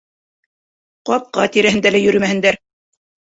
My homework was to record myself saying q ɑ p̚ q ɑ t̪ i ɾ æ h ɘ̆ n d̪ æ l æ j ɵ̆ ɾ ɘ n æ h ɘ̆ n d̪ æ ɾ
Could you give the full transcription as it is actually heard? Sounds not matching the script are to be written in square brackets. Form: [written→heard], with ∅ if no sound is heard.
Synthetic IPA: q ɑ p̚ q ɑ t̪ i ɾ æ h ɘ̆ n d̪ æ l æ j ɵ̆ ɾ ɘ [n→m] æ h ɘ̆ n d̪ æ ɾ